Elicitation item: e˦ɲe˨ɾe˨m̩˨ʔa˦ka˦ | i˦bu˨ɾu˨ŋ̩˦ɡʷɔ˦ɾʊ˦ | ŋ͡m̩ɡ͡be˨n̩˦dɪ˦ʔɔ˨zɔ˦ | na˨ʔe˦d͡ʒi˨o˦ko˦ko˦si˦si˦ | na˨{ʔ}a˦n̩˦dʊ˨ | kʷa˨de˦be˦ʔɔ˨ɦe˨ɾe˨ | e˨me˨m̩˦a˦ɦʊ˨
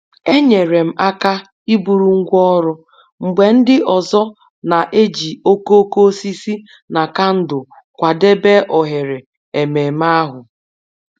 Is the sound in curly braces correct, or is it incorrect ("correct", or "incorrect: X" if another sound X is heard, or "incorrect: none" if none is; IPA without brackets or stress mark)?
incorrect: k